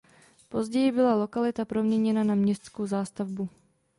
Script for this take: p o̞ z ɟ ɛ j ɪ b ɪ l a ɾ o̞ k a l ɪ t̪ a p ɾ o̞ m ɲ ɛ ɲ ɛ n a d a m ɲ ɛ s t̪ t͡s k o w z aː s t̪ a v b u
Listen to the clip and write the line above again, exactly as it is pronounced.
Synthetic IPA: p o̞ z ɟ ɛ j ɪ b ɪ l a l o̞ k a l ɪ t̪ a p ɾ o̞ m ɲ ɛ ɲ ɛ n a n a m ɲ ɛ s t̪ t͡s k o w z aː s t̪ a v b u

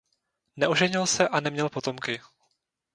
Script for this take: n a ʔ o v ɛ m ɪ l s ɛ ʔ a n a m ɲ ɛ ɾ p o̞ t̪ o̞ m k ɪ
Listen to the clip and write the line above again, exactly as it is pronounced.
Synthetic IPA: n ɛ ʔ o ʒ ɛ ɲ ɪ l s ɛ ʔ a n ɛ m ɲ ɛ l p o̞ t̪ o̞ m k ɪ

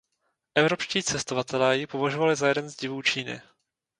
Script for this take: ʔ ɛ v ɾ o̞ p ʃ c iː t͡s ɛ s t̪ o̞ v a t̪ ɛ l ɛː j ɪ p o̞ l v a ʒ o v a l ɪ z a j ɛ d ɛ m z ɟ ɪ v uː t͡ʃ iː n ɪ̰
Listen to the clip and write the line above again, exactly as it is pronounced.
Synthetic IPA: ʔ ɛ v ɾ o̞ p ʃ c iː t͡s ɛ s t̪ o̞ v a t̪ ɛ l ɛː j ɪ p o̞ v a ʒ o v a l ɪ z a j ɛ d ɛ n z ɟ ɪ v uː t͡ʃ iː n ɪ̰

